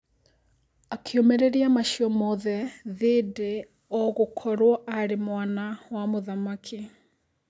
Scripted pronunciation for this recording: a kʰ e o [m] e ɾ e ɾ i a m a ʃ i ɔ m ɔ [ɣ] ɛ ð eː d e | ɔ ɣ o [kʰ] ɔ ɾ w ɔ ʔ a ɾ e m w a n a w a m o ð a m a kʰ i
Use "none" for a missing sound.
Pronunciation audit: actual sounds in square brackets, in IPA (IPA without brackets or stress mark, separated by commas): m, ð, kʰ